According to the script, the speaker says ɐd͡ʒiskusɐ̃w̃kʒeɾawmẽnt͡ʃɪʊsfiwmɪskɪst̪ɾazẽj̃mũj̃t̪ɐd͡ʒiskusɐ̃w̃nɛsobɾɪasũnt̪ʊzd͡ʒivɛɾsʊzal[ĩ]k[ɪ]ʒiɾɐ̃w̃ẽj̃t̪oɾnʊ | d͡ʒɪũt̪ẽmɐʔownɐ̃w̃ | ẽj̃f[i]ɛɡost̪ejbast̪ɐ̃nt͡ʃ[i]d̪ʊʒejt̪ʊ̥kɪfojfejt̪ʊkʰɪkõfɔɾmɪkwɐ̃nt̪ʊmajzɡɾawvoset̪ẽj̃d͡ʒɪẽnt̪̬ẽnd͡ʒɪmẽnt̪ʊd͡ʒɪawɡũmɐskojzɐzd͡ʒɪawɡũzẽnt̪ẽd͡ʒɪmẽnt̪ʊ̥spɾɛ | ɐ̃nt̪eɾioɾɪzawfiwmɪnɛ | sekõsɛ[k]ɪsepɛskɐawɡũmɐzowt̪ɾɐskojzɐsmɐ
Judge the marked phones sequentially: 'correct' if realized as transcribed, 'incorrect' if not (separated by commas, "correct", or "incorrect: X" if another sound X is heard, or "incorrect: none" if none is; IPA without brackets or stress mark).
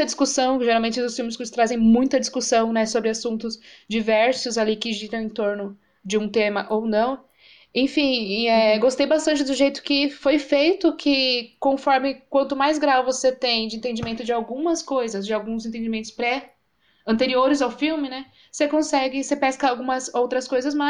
incorrect: i, correct, incorrect: ĩ, incorrect: ɪ, incorrect: ɡ